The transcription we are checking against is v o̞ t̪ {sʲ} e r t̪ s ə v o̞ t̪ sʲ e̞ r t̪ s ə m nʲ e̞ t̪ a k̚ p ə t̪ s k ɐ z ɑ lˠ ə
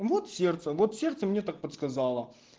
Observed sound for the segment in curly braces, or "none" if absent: sʲ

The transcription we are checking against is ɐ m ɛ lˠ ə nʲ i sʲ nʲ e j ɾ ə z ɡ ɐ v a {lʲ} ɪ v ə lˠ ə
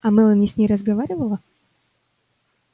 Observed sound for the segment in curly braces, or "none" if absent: ɾʲ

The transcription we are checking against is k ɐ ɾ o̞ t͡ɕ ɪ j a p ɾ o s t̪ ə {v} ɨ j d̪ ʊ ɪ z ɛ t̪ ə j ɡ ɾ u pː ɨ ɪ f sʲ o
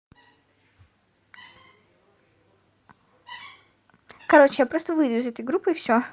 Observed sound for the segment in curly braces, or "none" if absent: v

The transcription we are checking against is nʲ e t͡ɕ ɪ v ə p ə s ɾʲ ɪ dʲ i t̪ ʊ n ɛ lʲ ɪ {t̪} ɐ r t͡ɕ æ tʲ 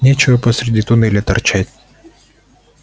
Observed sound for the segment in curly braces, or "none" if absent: t̪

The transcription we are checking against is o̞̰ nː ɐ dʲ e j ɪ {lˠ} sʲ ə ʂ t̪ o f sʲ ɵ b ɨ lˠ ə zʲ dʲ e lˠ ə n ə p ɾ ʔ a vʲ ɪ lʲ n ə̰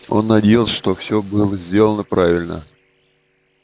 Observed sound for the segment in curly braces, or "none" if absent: lˠ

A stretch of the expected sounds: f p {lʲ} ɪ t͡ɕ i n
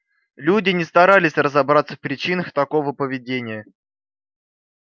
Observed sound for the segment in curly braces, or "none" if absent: ɾʲ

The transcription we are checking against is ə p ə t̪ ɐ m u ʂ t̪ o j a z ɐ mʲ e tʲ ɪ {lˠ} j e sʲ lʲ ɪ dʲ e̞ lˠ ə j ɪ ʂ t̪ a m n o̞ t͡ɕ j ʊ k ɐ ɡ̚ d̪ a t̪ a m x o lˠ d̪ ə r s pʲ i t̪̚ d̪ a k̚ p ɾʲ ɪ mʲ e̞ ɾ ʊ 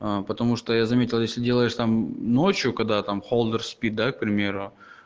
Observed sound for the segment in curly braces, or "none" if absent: lˠ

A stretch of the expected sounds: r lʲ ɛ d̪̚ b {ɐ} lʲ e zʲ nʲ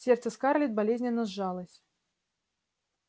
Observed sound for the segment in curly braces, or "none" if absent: a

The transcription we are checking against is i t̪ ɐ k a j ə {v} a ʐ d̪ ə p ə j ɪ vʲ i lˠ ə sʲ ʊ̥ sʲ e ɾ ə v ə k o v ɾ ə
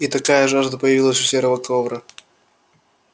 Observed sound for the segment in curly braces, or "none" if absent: ʐ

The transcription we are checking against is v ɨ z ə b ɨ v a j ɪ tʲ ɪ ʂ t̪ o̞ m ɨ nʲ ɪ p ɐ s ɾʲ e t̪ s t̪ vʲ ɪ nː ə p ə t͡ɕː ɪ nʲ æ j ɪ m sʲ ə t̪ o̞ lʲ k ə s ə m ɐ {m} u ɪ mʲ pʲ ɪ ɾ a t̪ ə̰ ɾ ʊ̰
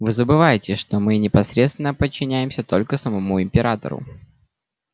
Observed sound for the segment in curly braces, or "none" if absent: m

